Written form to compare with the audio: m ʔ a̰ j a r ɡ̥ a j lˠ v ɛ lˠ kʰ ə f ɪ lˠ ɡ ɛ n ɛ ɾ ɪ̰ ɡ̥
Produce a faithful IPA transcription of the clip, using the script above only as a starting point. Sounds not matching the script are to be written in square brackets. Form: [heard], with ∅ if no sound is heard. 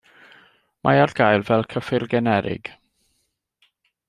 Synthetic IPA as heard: m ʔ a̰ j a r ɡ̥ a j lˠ v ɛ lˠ kʰ ə f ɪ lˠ ɡ ɛ n ɛ ɾ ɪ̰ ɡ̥